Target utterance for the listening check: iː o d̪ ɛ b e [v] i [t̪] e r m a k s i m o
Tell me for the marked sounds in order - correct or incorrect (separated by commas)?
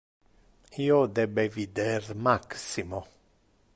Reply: correct, incorrect